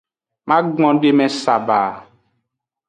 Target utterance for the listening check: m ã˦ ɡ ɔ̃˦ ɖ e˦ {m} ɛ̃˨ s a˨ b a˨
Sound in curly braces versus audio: correct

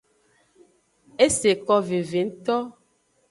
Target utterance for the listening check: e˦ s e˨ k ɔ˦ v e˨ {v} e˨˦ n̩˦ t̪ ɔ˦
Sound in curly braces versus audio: correct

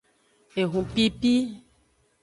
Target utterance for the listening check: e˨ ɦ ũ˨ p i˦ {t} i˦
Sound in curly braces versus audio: incorrect: p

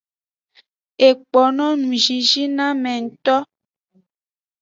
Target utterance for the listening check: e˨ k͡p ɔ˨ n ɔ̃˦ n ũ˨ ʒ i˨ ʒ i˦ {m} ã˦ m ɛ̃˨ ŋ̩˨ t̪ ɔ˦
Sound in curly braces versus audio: incorrect: n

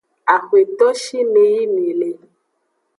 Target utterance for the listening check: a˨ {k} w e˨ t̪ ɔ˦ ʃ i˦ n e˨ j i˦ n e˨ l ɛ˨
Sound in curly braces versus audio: incorrect: x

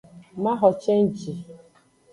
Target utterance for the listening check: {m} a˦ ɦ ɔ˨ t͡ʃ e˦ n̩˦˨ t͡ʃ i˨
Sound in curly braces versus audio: correct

